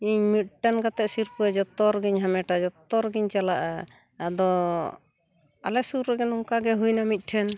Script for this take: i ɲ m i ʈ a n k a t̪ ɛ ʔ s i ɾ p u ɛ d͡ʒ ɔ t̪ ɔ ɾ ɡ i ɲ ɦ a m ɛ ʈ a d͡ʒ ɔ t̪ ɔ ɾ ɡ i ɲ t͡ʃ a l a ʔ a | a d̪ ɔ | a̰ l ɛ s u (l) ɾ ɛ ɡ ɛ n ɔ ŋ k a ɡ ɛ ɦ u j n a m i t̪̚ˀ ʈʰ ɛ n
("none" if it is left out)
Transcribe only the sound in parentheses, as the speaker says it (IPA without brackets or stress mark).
ɾ